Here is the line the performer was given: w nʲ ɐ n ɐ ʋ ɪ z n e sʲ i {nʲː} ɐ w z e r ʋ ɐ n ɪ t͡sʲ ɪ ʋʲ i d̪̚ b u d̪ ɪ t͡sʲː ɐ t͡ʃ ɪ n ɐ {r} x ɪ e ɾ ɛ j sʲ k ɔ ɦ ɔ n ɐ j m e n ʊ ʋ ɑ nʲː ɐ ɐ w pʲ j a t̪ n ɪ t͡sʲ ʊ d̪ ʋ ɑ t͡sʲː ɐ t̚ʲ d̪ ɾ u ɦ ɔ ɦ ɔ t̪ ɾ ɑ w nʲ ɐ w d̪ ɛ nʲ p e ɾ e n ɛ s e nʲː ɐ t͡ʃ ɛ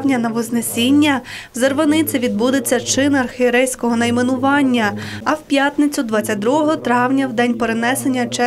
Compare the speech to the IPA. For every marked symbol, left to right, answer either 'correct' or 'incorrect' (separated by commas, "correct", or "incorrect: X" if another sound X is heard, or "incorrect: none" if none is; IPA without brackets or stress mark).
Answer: correct, correct